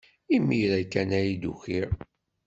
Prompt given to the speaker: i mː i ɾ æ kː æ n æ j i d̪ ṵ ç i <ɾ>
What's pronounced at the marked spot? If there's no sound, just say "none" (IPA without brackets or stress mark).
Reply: ɾ